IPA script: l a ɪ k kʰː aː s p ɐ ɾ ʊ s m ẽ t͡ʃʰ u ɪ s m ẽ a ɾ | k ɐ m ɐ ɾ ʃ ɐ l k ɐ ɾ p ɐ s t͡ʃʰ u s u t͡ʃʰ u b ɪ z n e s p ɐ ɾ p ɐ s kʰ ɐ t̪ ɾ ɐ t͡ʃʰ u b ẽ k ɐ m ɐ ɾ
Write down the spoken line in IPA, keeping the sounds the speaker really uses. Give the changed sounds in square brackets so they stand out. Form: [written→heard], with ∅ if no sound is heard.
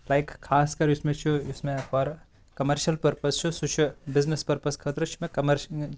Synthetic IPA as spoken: l a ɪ k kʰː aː s [p→k] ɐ ɾ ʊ s m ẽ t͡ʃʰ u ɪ s m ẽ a ɾ | k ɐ m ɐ ɾ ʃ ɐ l [k→p] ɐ ɾ p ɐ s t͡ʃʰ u s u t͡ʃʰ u b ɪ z n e s p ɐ ɾ p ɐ s kʰ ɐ t̪ ɾ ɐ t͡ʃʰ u [b→m] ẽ k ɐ m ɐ ɾ